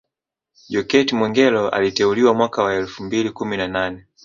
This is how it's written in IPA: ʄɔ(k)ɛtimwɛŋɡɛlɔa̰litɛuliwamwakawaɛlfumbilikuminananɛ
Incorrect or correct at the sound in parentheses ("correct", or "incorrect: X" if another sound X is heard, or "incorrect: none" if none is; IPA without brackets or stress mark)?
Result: correct